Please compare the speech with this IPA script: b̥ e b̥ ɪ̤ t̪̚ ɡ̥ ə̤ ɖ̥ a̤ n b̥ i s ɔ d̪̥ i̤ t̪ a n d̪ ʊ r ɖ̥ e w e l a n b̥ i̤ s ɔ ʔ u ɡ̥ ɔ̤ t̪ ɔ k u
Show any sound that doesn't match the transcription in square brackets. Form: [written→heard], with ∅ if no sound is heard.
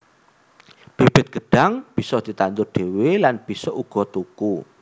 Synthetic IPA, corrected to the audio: b̥ e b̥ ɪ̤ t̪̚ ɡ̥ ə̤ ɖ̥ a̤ [n→ŋ] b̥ i s ɔ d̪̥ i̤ t̪ a n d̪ ʊ r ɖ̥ e w e l a n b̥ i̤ s ɔ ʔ u ɡ̥ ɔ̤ t̪ [ɔ→u] k u